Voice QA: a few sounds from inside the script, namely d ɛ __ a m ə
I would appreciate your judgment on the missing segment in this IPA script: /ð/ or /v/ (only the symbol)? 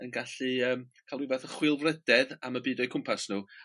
ð